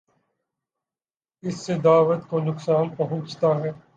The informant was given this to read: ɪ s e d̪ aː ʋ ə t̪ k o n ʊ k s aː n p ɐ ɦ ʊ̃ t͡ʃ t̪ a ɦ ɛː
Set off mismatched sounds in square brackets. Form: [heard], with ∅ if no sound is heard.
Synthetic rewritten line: ɪ [sː] e d̪ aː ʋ ə t̪ k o n ʊ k s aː n p ɐ ɦ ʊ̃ t͡ʃ t̪ a ɦ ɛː